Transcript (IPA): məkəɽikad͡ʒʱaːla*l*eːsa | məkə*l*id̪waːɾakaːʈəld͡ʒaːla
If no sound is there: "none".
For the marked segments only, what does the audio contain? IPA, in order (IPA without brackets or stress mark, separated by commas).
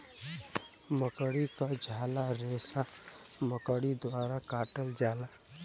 ɾ, ɽ